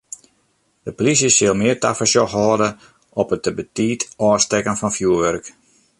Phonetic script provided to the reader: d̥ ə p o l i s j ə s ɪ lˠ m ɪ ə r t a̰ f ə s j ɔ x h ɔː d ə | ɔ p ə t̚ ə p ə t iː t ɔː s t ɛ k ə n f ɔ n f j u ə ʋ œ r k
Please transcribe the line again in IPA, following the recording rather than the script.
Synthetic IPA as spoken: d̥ ə p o l i s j ə s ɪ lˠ m ɪ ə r t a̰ f ə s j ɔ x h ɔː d ə | ɔ p ə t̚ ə b ə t iː t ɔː s t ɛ k ə n f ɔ n f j u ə ʋ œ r k